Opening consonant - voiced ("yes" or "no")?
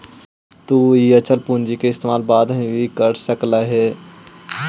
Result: no